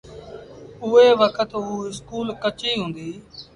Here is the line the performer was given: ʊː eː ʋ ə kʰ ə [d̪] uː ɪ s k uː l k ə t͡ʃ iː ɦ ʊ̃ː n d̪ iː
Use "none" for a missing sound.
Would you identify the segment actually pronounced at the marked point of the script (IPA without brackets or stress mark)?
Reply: t̪